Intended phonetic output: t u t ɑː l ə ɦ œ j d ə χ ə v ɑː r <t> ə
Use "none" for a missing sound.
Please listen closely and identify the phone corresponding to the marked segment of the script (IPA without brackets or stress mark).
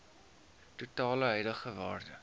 d